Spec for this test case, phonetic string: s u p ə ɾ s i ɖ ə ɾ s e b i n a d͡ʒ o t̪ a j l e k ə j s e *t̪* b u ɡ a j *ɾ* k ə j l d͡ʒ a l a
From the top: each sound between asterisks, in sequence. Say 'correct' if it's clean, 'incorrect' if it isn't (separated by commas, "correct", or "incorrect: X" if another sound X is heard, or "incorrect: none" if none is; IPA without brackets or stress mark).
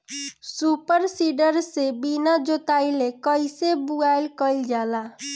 incorrect: none, incorrect: l